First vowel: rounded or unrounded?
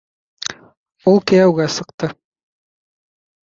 rounded